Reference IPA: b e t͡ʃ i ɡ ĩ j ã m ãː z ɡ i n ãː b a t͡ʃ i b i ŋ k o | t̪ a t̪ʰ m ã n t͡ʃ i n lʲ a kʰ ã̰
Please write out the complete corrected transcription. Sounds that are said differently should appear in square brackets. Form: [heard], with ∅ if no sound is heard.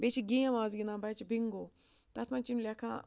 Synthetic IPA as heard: b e t͡ʃ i ɡ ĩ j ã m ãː z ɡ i n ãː b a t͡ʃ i b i ŋ [ɡ] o | t̪ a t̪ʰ m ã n t͡ʃ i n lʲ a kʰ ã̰